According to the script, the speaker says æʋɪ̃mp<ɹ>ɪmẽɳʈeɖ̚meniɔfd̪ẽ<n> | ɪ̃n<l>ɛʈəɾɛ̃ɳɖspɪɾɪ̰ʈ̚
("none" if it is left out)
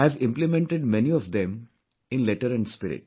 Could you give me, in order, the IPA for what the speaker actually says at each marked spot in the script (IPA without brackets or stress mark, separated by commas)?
l, m, l